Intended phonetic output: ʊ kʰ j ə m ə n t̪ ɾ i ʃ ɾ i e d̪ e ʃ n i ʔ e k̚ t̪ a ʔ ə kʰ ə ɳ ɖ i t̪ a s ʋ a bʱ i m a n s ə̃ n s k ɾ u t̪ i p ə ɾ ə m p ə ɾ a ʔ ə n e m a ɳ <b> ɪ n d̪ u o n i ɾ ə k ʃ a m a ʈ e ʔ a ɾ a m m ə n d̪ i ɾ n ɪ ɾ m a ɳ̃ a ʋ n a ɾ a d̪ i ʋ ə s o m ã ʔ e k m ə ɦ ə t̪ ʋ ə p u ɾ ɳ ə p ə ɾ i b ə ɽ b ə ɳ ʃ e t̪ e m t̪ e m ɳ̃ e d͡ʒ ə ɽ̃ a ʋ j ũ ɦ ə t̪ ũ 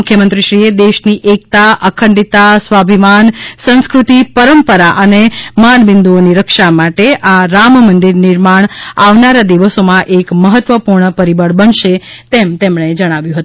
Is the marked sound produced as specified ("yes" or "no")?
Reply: yes